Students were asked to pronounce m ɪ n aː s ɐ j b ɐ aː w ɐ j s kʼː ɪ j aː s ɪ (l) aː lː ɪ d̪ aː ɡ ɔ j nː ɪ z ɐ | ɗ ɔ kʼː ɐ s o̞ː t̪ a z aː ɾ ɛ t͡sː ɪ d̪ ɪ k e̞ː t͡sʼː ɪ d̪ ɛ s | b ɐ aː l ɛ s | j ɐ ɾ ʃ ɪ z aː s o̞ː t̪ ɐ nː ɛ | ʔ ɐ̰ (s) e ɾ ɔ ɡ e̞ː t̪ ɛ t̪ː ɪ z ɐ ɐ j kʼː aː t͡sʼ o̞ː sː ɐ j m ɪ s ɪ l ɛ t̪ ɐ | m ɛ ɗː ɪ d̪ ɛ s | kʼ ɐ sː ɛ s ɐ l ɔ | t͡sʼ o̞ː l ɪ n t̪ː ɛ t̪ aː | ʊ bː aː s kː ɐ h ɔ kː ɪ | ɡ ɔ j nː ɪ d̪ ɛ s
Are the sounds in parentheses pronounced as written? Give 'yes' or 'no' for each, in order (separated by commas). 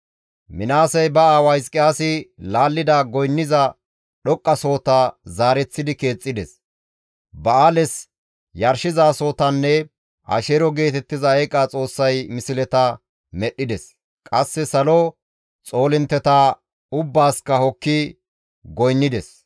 yes, no